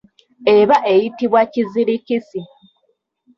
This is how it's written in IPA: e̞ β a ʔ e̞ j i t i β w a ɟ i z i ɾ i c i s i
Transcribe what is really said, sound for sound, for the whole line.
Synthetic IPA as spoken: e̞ β a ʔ e̞ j i t i β w a c i z i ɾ i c i s i